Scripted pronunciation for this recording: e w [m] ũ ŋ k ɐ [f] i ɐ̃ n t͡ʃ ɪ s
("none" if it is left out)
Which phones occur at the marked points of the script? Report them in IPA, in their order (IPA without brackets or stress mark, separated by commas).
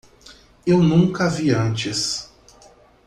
n, v